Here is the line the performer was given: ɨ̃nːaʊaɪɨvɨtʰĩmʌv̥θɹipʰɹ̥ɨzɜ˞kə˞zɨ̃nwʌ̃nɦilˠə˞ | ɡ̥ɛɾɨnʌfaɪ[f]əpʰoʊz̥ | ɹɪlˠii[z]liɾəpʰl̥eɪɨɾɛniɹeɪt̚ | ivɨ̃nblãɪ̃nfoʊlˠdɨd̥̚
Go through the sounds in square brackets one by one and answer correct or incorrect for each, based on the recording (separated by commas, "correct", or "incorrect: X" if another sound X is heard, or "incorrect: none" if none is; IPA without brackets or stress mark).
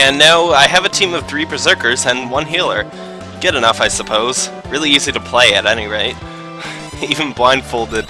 incorrect: s, correct